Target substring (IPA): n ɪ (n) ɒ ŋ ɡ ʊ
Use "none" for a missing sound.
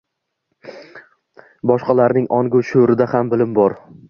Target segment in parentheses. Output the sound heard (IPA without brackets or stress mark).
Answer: ŋ